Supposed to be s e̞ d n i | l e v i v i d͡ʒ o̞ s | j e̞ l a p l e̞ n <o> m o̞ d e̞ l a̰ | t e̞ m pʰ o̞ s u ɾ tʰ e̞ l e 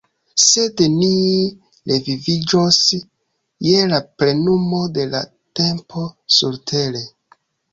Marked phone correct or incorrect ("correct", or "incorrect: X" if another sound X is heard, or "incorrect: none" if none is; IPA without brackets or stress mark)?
incorrect: u